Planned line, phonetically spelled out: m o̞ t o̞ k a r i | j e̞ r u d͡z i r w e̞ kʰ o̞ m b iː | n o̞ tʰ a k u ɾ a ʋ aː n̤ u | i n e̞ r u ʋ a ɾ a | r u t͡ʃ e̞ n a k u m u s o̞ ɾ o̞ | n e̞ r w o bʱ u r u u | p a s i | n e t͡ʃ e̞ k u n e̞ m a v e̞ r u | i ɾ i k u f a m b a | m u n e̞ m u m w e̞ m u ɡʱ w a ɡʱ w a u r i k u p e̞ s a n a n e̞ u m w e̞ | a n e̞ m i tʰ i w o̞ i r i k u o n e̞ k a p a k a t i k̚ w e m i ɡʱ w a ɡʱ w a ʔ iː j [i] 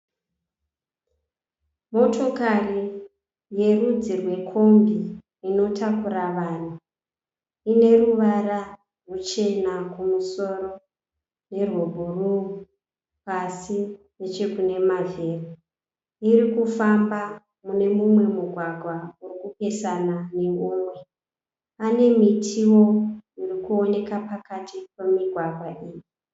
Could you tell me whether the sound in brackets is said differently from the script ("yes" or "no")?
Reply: no